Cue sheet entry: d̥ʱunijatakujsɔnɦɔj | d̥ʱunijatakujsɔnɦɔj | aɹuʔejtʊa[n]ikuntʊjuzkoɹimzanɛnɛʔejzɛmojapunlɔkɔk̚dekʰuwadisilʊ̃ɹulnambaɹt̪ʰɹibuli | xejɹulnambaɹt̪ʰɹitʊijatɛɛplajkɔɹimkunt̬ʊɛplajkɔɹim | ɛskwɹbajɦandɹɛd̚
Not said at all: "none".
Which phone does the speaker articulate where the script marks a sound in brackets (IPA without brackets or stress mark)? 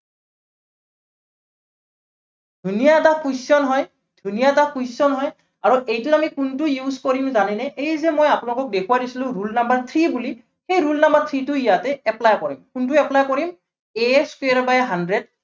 m